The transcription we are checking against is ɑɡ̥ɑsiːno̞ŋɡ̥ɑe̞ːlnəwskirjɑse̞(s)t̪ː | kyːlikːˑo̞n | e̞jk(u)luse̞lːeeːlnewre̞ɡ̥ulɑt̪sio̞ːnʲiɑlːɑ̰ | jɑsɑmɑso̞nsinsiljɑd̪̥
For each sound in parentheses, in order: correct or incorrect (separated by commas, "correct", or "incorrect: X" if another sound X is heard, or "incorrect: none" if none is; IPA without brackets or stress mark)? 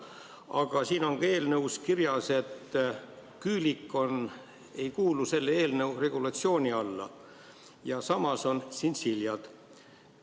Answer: incorrect: none, incorrect: uː